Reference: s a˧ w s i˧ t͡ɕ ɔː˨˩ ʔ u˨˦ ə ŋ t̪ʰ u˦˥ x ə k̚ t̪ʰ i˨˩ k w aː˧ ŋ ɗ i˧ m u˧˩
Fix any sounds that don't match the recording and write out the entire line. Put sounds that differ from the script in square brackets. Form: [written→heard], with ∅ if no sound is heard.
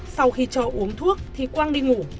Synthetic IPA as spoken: s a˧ w [s→x] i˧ t͡ɕ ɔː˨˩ ʔ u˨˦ ə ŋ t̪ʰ u˦˥ [x→∅] ə k̚ t̪ʰ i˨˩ k w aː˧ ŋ ɗ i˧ [m→ŋ] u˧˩